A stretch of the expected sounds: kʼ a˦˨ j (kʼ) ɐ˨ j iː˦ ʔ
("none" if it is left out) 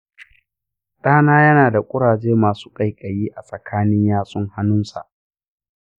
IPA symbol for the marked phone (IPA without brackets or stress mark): kʼ